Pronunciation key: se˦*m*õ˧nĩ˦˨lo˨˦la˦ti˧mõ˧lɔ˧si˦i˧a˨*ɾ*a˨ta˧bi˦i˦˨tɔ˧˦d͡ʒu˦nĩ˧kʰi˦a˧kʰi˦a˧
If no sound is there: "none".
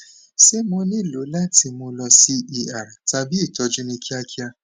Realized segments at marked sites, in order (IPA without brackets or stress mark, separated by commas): m, ɾ